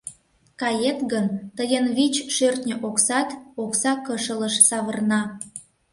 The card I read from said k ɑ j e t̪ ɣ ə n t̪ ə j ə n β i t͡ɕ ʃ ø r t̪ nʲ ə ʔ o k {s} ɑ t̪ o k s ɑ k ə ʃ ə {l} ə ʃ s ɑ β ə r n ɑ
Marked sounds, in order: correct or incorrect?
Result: correct, correct

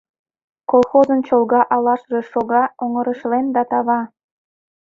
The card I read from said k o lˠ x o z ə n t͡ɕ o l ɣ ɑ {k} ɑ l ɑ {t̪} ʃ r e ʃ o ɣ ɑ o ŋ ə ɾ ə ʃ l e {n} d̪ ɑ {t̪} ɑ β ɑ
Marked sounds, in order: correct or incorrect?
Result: incorrect: ʔ, incorrect: none, correct, correct

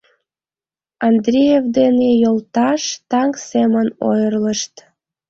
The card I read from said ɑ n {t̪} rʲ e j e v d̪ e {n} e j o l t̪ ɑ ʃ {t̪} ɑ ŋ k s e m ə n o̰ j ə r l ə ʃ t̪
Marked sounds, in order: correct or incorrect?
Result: incorrect: d̪, correct, correct

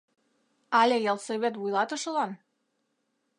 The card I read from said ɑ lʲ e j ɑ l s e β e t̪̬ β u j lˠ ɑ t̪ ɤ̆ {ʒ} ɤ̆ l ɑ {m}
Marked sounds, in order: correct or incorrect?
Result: incorrect: ʃ, incorrect: n

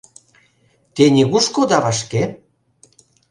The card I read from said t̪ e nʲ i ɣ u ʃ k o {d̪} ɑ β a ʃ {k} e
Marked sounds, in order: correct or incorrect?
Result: correct, correct

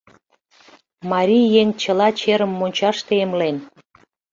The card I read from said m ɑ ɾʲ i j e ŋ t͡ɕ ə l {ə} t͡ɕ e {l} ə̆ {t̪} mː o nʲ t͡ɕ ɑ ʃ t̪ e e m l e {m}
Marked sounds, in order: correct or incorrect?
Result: incorrect: ɑ, incorrect: ɾ, incorrect: none, incorrect: n

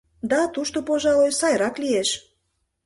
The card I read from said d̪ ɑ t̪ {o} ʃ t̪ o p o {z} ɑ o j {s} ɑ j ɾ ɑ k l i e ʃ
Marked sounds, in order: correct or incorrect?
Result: incorrect: u, incorrect: ʒ, correct

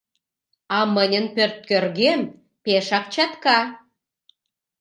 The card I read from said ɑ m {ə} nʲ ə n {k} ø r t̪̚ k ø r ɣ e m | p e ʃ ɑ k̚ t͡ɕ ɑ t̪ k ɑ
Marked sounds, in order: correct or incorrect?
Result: correct, incorrect: p

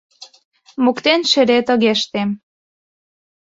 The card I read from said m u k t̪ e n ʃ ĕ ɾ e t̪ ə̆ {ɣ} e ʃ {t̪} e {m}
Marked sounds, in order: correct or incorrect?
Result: correct, correct, correct

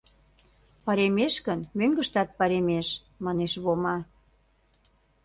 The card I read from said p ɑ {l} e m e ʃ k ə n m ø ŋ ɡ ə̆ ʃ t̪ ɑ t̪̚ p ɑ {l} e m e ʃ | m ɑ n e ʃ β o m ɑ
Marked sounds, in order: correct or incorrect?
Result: incorrect: ɾ, incorrect: ɾ

